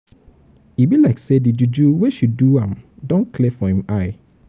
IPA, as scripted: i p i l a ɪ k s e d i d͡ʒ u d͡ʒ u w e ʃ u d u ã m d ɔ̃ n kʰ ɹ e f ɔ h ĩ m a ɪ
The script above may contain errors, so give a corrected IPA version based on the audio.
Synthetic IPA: i b i l a ɪ k s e d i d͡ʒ u d͡ʒ u w e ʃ u d u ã m d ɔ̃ n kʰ l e f ɔ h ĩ m a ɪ